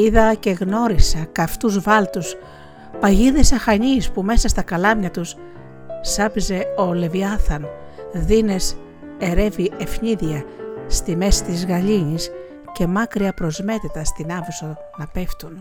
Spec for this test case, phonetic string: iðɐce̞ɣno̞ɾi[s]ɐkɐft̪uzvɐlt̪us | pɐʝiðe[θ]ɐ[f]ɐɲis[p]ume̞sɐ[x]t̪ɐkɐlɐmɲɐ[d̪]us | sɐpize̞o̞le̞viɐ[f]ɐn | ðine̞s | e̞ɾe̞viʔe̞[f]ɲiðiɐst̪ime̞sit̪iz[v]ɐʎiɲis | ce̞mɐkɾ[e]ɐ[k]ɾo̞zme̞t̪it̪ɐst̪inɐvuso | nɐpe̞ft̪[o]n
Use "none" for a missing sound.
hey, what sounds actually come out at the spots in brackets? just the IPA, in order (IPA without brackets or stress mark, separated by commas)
s, s, x, p, s, t̪, θ, f, ɣ, i, p, u